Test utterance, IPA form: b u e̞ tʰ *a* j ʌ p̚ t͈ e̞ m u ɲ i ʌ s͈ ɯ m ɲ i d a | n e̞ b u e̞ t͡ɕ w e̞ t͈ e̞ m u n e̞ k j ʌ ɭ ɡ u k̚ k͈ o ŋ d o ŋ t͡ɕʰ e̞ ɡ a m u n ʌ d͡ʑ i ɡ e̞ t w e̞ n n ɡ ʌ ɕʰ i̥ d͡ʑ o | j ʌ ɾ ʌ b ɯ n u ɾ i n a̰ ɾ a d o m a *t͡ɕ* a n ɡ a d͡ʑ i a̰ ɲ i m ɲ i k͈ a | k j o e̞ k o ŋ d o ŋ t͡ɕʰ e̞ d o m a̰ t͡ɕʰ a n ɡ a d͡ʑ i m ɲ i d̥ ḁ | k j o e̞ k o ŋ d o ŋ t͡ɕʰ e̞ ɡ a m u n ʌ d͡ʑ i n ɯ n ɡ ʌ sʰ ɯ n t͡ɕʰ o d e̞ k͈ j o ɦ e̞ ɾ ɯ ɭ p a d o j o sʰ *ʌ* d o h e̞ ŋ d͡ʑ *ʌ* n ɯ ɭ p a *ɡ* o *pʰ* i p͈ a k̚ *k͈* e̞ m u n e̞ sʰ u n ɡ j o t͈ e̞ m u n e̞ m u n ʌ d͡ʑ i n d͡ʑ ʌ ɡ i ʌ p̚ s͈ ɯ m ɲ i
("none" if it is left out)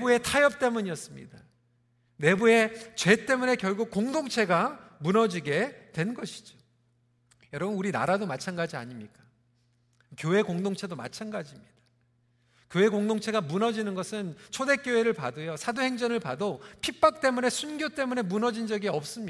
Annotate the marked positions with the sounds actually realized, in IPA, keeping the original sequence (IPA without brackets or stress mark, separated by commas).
a, t͡ɕʰ, a, ʌ, d, pʰ, t͈